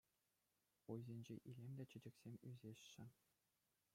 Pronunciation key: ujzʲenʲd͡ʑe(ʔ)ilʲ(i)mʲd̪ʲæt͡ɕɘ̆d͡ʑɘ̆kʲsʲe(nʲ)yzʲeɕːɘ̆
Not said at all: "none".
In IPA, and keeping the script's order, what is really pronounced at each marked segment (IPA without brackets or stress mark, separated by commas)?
ʔ, e, mʲ